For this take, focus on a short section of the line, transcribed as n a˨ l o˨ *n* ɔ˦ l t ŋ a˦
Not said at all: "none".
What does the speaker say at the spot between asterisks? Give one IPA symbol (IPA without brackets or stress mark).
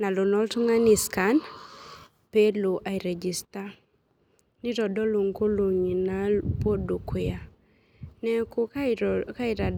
n